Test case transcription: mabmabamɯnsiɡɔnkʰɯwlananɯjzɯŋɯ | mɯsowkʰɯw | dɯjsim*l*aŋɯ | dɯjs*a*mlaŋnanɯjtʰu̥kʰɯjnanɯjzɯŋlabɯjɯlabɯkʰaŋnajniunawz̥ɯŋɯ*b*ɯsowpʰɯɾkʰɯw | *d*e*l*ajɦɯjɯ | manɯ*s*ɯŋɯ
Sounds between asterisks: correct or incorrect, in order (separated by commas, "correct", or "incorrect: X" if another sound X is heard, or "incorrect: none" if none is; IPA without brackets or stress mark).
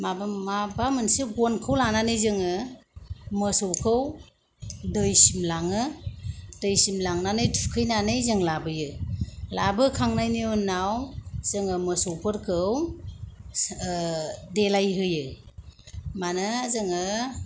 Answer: correct, incorrect: i, incorrect: m, correct, correct, incorrect: z